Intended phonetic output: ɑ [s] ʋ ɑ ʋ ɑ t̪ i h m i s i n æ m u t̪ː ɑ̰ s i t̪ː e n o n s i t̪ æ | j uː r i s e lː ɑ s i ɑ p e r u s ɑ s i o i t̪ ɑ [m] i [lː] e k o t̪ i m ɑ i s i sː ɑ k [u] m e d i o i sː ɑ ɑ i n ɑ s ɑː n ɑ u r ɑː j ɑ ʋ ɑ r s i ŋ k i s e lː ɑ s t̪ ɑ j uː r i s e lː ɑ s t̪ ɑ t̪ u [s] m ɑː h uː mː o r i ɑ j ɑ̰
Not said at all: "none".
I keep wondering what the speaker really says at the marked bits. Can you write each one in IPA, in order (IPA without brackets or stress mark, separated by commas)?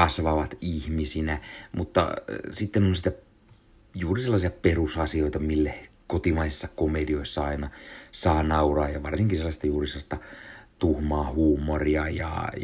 s, m, lː, o, h